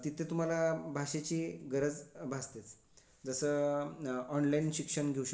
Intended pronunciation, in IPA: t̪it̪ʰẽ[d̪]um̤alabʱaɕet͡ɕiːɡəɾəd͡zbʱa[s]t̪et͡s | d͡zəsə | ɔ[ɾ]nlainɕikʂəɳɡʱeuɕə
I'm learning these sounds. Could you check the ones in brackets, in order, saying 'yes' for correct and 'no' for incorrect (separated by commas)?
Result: no, yes, no